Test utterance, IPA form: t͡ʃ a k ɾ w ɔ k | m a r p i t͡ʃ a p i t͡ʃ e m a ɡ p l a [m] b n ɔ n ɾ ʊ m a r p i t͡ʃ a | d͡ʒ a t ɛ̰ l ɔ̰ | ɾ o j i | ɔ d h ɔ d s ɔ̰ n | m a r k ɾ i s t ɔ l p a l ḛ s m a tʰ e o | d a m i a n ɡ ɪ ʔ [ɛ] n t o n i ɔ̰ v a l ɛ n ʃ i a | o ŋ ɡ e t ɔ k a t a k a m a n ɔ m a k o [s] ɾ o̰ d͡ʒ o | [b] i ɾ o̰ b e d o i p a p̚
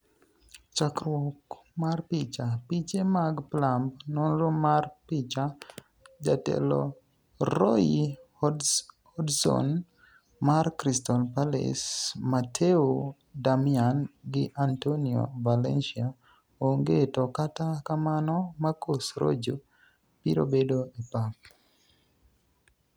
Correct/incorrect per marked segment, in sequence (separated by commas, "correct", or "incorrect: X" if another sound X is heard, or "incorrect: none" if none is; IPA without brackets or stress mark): correct, incorrect: a, correct, incorrect: p